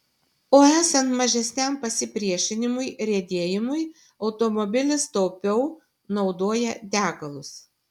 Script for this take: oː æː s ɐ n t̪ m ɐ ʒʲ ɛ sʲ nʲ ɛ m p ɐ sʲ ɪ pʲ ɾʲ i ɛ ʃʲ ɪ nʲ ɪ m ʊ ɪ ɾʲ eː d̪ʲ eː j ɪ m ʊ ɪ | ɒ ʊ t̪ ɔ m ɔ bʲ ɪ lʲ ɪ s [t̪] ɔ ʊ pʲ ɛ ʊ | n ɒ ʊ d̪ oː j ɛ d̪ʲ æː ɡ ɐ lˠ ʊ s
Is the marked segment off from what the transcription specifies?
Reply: no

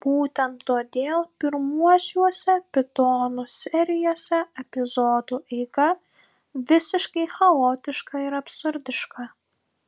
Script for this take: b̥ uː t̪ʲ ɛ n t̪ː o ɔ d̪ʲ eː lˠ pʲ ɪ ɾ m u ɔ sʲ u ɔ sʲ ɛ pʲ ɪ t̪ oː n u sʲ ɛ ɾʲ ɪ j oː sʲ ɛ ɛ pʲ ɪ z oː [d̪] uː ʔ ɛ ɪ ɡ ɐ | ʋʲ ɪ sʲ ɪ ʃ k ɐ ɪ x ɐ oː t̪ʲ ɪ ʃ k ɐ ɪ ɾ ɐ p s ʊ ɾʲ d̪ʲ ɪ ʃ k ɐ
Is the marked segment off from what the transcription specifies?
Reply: no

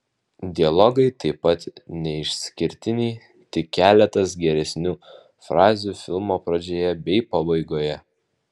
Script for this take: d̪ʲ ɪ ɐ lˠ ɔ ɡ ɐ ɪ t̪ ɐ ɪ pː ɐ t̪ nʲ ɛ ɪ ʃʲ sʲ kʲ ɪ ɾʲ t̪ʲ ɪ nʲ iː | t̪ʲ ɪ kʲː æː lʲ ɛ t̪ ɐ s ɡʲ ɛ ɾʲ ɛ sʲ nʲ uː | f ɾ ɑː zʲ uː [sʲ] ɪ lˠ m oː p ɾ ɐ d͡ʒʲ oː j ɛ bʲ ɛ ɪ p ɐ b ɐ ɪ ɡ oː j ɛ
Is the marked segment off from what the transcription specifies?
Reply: yes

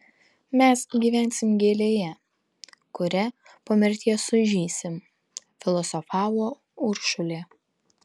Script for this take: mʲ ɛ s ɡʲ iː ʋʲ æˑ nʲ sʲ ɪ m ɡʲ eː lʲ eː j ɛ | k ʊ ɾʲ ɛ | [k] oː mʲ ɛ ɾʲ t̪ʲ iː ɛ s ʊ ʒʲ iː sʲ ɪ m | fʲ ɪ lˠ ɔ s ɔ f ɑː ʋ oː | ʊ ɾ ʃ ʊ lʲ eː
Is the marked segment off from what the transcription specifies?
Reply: yes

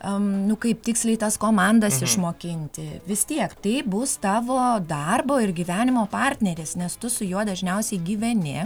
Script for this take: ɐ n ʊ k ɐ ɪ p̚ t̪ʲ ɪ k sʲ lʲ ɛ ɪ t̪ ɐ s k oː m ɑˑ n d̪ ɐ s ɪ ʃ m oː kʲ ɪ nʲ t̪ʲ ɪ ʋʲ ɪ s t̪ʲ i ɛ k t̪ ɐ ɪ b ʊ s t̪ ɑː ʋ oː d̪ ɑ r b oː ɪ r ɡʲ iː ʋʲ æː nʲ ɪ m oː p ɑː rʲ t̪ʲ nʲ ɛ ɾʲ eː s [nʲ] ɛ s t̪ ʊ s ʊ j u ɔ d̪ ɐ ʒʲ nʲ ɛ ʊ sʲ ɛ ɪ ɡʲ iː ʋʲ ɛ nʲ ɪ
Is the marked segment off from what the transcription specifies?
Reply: no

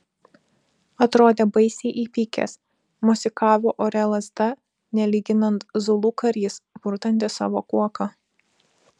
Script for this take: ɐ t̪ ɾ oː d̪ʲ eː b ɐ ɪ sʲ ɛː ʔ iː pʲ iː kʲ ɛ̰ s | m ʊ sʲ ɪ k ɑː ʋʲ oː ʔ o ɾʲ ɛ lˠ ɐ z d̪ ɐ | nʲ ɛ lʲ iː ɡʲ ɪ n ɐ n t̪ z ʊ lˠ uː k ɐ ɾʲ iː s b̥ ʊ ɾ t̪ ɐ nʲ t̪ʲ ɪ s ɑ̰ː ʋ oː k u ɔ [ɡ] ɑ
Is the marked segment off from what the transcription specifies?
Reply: yes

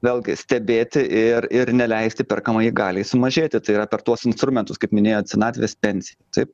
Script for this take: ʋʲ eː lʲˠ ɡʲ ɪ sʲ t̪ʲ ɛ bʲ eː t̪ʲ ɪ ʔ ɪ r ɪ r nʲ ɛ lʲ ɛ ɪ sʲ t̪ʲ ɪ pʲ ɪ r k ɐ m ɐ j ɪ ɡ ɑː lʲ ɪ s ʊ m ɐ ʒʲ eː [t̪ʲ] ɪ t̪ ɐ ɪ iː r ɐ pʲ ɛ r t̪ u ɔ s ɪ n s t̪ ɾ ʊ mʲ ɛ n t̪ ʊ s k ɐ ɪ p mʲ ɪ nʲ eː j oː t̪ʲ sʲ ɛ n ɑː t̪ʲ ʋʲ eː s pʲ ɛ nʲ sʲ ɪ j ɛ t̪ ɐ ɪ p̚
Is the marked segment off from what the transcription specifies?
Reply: no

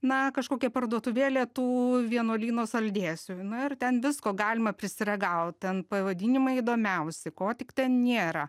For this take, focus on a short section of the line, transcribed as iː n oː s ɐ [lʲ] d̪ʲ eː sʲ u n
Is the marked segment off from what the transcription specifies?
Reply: no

